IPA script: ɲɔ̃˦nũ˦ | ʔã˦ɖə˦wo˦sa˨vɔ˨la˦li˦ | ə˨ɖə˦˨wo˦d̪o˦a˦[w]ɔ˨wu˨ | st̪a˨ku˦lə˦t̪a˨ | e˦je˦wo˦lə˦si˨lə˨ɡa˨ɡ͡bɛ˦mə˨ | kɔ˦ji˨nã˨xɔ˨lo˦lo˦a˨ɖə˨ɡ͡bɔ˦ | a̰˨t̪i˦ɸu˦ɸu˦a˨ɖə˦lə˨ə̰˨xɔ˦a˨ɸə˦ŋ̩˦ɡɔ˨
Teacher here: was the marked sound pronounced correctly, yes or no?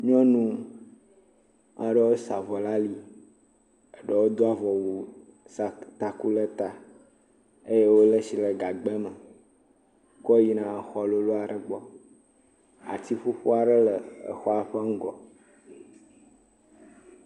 no